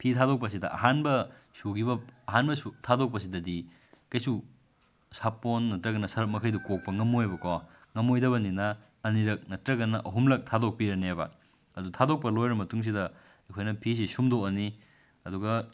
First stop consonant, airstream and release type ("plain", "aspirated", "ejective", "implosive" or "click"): aspirated